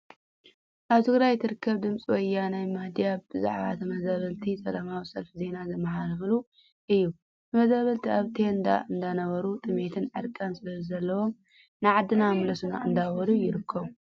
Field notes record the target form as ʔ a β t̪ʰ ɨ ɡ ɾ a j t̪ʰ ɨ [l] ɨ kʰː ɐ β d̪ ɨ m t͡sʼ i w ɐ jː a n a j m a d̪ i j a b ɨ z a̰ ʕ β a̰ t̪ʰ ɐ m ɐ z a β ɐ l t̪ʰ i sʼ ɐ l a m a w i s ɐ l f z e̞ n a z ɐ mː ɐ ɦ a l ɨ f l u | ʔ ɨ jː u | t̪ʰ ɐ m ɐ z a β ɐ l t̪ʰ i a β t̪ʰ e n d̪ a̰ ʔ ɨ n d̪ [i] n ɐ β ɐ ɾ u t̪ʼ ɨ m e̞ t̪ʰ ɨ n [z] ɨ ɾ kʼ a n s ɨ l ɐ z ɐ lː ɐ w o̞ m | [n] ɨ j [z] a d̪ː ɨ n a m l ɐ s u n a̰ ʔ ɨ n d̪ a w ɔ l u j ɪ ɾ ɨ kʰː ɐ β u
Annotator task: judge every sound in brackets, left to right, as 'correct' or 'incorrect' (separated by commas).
incorrect, incorrect, incorrect, correct, incorrect